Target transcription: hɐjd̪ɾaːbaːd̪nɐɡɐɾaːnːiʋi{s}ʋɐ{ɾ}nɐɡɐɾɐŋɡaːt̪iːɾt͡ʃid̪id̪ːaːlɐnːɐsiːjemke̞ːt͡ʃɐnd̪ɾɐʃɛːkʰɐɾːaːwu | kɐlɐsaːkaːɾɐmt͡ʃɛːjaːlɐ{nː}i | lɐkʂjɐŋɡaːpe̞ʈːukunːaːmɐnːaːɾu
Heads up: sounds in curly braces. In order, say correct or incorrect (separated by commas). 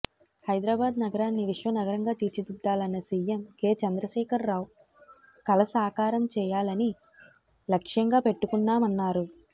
incorrect, incorrect, incorrect